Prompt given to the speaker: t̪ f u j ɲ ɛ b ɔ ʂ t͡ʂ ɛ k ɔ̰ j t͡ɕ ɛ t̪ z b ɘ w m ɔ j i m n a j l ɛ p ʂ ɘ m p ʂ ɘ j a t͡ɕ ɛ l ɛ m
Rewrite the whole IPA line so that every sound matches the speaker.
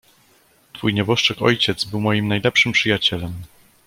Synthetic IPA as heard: t̪ f u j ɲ ɛ b ɔ ʂ t͡ʂ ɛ k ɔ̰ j t͡ɕ ɛ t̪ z b ɘ w m ɔ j i m n a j l ɛ p ʂ ɘ m p ʂ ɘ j a t͡ɕ ɛ l ɛ m

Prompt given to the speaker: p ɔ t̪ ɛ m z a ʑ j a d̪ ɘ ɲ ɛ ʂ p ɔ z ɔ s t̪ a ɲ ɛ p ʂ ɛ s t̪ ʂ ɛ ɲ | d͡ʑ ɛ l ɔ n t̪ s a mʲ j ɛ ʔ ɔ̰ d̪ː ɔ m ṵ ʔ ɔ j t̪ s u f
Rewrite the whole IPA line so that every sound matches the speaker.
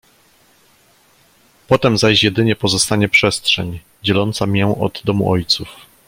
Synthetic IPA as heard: p ɔ t̪ ɛ m z a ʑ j ɛ d̪ ɘ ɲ ɛ p ɔ z ɔ s t̪ a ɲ ɛ p ʂ ɛ s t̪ ʂ ɛ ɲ | d͡ʑ ɛ l ɔ n t̪ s a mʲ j ɛ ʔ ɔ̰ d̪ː ɔ m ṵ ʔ ɔ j t̪ s u f

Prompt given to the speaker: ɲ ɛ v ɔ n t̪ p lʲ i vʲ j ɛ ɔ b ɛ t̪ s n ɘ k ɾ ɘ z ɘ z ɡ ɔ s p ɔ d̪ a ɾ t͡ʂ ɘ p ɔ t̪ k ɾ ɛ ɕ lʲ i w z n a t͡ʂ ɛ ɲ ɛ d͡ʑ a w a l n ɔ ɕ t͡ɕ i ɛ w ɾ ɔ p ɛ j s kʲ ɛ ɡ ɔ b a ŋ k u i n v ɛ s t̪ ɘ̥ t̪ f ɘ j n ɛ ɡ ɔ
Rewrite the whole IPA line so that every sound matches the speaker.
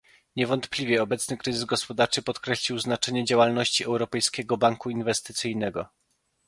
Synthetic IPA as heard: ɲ ɛ v ɔ n t̪ p lʲ i vʲ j ɛ ɔ b ɛ t̪ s n ɘ k ɾ ɘ z ɘ z ɡ ɔ s p ɔ d̪ a ɾ t͡ʂ ɘ p ɔ t̪ k ɾ ɛ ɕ lʲ i w z n a t͡ʂ ɛ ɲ ɛ d͡ʑ a w a l n ɔ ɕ t͡ɕ i ɛ w ɾ ɔ p ɛ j s kʲ ɛ ɡ ɔ b a ŋ k u i n v ɛ s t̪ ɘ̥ t̪ s ɘ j n ɛ ɡ ɔ

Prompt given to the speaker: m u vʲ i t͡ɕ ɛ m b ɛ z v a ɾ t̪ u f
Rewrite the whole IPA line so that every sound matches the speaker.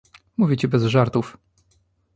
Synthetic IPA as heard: m u vʲ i t͡ɕ ɛ b ɛ z ʐ a ɾ t̪ u f

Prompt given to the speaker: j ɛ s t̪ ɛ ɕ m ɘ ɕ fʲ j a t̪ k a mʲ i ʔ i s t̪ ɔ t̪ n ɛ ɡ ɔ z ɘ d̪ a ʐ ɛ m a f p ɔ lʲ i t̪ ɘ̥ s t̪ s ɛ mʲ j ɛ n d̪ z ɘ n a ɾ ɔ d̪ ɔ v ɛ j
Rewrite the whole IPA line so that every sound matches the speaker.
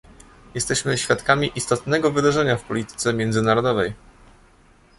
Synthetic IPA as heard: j ɛ s t̪ ɛ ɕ m ɘ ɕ fʲ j a t̪ k a mʲ i ʔ i s t̪ ɔ t̪ n ɛ ɡ ɔ v ɘ d̪ a ʐ ɛ ɲ a f p ɔ lʲ i t̪ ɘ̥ t̪ s ɛ mʲ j ɛ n d̪ z ɘ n a ɾ ɔ d̪ ɔ v ɛ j

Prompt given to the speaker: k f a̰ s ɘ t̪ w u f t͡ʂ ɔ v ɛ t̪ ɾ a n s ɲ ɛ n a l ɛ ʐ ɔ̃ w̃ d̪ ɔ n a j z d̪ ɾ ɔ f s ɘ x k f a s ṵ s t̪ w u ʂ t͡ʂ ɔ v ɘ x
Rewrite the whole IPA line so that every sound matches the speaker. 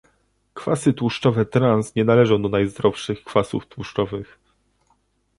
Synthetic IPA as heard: k f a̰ s ɘ t̪ w u ʂ t͡ʂ ɔ v ɛ t̪ ɾ a n s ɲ ɛ n a l ɛ ʐ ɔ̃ w̃ d̪ ɔ n a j z d̪ ɾ ɔ f ʂ ɘ x k f a s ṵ f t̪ w u ʂ t͡ʂ ɔ v ɘ x

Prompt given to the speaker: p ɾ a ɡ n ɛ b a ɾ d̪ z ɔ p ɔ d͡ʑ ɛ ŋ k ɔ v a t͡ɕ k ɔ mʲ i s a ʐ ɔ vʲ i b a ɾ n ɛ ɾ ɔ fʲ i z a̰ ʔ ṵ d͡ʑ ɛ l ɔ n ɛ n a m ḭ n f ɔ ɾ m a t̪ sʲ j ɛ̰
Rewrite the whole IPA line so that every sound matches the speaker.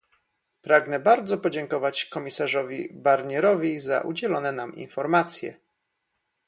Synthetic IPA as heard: p ɾ a ɡ n ɛ b a ɾ d̪ z ɔ p ɔ d͡ʑ ɛ ŋ k ɔ v a t͡ɕ k ɔ mʲ i s a ʐ ɔ vʲ i b a ɾ ɲ ɛ ɾ ɔ vʲ i z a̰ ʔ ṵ d͡ʑ ɛ l ɔ n ɛ n a m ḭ n f ɔ ɾ m a t̪ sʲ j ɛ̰

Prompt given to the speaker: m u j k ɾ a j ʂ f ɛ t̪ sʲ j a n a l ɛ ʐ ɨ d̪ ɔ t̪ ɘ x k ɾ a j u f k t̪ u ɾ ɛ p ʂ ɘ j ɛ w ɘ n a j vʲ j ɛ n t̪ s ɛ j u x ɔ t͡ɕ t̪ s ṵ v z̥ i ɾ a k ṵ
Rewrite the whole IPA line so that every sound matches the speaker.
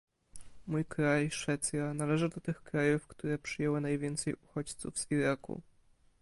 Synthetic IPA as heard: m u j k ɾ a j ʂ f ɛ t̪ sʲ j a n a l ɛ ʐ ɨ d̪ ɔ t̪ ɘ x k ɾ a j u f k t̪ u ɾ ɛ p ʂ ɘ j ɛ w ɘ n a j vʲ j ɛ n t̪ s ɛ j u x ɔ t͡ɕ t̪ s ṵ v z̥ i ɾ a k ṵ

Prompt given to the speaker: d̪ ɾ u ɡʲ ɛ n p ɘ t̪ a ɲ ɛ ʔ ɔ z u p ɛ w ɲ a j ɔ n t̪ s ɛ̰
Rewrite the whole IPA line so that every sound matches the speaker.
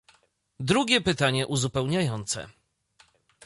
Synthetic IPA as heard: d̪ ɾ u ɡʲ ɛ p ɘ t̪ a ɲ ɛ ʔ u z u p ɛ w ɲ a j ɔ n t̪ s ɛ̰

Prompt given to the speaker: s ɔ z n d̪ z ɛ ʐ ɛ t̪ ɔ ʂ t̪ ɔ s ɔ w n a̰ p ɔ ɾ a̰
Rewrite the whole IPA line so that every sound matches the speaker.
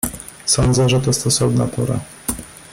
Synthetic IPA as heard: s ɔ n d̪ z ɛ ʐ ɛ t̪ ɔ s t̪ ɔ s ɔ v n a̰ p ɔ ɾ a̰

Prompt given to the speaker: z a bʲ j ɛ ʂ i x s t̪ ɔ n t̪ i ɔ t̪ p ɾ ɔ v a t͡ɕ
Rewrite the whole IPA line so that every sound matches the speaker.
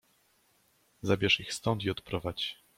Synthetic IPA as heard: z a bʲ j ɛ ʂ i x s t̪ ɔ n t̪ i ɔ t̪ p ɾ ɔ v a t͡ɕ

